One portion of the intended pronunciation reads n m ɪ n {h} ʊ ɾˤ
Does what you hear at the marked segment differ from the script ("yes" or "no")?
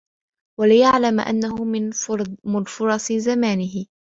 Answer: yes